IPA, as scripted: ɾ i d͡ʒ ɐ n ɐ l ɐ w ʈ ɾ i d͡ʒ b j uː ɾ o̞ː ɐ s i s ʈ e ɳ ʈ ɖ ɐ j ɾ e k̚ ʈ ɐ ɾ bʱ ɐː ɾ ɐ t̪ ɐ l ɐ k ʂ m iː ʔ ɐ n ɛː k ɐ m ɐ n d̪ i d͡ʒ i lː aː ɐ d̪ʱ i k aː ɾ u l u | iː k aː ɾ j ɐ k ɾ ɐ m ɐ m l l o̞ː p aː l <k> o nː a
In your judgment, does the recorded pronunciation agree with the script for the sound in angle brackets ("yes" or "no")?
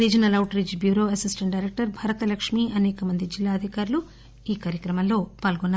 no